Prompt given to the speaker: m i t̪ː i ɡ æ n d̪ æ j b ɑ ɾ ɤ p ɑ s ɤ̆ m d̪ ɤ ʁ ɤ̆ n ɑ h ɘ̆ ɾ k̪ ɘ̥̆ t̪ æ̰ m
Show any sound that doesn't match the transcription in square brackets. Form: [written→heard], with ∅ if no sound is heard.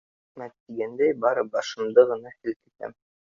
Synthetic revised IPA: m [i→æ] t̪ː i ɡ æ n d̪ æ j b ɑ ɾ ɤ [p→b] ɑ [s→ʃ] ɤ̆ m d̪ ɤ ʁ ɤ̆ n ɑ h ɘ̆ [ɾ→l] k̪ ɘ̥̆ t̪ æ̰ m